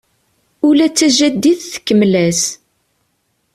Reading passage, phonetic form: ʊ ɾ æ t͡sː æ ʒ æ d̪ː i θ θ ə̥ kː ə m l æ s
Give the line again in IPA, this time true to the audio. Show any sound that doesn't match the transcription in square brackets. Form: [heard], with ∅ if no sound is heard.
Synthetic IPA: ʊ [l] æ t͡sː æ ʒ æ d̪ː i θ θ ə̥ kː ə m l æ s